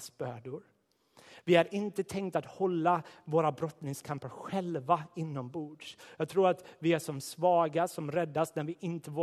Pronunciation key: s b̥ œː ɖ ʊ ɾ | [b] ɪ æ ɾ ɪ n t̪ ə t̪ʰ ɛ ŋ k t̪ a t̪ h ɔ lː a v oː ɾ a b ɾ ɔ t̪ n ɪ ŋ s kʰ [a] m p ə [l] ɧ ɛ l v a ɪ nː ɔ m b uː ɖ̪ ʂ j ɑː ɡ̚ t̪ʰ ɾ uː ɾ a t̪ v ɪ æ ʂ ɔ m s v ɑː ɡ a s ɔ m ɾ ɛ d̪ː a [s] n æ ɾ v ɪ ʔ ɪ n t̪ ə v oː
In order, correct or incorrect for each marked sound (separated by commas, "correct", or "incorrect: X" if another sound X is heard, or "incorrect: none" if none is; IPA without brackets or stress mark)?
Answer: incorrect: v, correct, incorrect: ɾ, correct